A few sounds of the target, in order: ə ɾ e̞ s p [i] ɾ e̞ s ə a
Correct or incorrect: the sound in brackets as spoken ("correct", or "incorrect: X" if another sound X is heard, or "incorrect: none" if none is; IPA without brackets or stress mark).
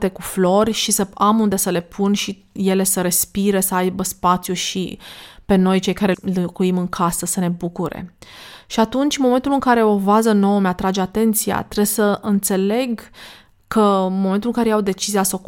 correct